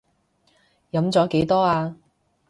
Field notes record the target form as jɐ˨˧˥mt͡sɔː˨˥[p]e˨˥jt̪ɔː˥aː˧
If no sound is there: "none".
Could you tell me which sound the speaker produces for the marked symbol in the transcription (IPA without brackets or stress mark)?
k